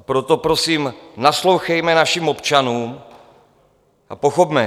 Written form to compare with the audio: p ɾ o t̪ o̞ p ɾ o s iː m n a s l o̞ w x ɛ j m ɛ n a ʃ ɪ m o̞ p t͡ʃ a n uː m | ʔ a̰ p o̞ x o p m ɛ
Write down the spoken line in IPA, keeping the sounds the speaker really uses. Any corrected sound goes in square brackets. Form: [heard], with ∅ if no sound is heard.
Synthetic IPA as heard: p ɾ o t̪ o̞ p ɾ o s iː m n a s l o̞ w x ɛ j m ɛ n a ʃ [i] m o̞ p t͡ʃ a n uː m | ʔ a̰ p o̞ x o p m ɛ

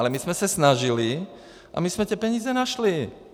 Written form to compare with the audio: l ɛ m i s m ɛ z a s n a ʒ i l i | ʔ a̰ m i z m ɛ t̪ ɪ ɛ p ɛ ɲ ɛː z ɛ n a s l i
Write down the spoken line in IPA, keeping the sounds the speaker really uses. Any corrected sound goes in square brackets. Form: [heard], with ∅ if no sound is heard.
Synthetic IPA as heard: l ɛ m i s m ɛ [s] a s n a ʒ i l i | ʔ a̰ m i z m ɛ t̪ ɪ ɛ p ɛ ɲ [iː] z ɛ n a [ʃ] l i

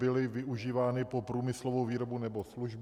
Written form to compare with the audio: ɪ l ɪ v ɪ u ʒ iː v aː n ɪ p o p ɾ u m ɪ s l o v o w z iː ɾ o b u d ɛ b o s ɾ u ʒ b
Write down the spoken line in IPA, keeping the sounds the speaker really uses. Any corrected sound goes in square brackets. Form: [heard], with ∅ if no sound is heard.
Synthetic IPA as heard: ɪ l ɪ v ɪ u ʒ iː v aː n ɪ p o p ɾ [uː] m ɪ s l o v o w [v] iː ɾ o b u [n] ɛ b o s [l] u ʒ b

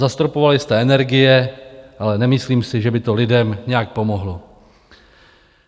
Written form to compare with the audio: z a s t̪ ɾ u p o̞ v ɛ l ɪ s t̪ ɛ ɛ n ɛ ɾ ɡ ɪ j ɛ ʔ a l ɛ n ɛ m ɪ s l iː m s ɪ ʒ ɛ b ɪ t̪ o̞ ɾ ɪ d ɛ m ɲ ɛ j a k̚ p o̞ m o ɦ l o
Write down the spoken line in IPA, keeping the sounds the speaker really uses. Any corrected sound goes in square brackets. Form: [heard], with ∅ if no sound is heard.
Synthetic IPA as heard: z a s t̪ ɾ [o] p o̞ v [a] l ɪ s t̪ ɛ ɛ n ɛ ɾ ɡ ɪ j ɛ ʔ a l ɛ n ɛ m ɪ s l iː m s ɪ ʒ ɛ b ɪ t̪ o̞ [l] ɪ d ɛ m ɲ ɛ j a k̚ p o̞ m o ɦ l o

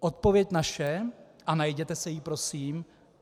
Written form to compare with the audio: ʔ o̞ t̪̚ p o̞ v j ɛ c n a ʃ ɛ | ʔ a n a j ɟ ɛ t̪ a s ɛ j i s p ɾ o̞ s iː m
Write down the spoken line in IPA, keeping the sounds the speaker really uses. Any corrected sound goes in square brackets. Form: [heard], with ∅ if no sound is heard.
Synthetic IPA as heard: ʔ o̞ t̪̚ p o̞ v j ɛ c n a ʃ ɛ | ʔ a n a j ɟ ɛ t̪ [ɛ] s ɛ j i [∅] p ɾ o̞ s iː m

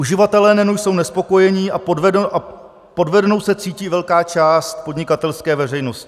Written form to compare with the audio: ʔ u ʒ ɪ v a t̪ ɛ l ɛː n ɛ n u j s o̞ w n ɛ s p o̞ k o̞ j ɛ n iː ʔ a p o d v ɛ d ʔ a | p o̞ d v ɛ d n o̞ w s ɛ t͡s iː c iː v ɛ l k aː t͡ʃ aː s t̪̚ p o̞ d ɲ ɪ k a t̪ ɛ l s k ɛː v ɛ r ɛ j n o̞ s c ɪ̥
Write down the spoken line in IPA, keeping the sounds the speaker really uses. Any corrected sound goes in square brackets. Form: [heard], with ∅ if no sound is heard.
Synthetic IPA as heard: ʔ u ʒ ɪ v a t̪ ɛ l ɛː n ɛ n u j s o̞ w n ɛ s p o̞ k o̞ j ɛ [ɲ] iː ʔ a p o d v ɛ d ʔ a | p o̞ d v ɛ d n o̞ w s ɛ t͡s iː c iː v ɛ l k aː t͡ʃ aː s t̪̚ p o̞ d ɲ ɪ k a t̪ ɛ l s k ɛː v ɛ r ɛ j n o̞ s c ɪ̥

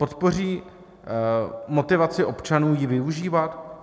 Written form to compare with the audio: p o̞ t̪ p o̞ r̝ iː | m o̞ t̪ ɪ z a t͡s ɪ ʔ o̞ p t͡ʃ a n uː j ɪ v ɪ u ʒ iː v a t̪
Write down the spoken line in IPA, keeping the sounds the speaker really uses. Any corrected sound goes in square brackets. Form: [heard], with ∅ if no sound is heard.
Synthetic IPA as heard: p o̞ t̪ p o̞ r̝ iː | m o̞ t̪ ɪ [v] a t͡s ɪ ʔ o̞ p t͡ʃ a n uː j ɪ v ɪ u ʒ iː v a t̪

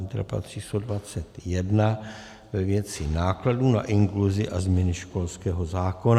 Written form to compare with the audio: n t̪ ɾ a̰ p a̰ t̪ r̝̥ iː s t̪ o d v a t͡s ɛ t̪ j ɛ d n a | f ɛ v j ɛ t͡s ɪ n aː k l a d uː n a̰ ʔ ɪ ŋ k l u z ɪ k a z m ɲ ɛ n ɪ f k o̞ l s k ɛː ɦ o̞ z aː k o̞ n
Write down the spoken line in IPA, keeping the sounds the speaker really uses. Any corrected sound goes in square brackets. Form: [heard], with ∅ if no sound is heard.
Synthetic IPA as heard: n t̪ ɾ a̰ p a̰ t̪ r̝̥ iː s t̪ o d v a t͡s ɛ t̪ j ɛ d n a | [v] ɛ v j ɛ t͡s ɪ n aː k l a d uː n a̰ ʔ ɪ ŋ k l u z ɪ [ʔ] a z m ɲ ɛ n ɪ [ʃ] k o̞ l s k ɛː ɦ o̞ z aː k o̞ n

